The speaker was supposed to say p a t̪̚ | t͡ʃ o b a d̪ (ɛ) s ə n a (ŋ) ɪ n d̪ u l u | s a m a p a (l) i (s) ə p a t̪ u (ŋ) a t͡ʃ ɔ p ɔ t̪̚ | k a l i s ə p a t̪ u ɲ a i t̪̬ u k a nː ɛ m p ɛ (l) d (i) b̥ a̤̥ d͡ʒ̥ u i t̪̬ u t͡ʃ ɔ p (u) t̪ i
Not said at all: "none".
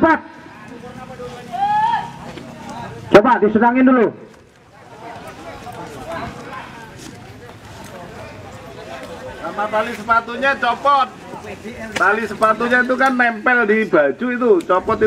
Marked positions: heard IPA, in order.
i, ŋ, l, s, ɲ, l, i, ɔ

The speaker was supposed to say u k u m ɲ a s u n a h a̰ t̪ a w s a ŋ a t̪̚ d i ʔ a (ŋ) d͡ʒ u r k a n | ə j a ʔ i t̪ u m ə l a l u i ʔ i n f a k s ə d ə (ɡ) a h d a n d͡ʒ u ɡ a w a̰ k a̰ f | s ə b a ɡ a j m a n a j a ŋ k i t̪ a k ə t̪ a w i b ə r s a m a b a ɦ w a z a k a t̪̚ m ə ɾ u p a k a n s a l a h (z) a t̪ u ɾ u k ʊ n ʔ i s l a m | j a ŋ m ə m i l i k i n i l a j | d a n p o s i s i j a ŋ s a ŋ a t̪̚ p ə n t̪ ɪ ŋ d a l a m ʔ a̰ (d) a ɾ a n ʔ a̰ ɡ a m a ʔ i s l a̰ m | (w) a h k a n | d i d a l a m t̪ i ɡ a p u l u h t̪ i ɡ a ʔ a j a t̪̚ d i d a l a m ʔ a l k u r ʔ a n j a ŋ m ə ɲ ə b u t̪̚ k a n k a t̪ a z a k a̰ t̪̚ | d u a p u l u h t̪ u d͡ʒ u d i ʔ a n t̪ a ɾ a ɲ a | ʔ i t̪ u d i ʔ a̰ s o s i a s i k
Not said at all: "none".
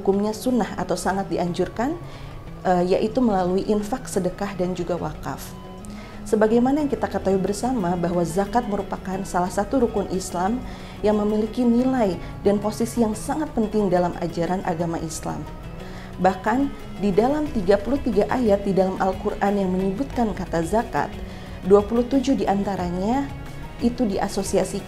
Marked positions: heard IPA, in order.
ɲ, k, s, d͡ʒ, b

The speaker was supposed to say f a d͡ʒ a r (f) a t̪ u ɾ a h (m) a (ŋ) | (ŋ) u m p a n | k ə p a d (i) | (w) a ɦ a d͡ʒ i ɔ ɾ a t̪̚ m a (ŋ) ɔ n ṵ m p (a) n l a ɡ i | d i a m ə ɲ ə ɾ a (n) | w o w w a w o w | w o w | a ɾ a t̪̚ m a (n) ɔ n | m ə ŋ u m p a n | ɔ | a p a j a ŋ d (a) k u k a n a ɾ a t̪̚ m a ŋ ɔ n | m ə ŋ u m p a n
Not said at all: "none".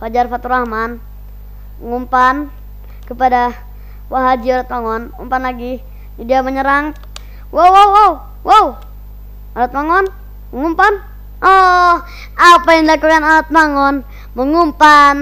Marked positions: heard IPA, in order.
f, m, n, ŋ, a, w, ŋ, a, ŋ, ŋ, a

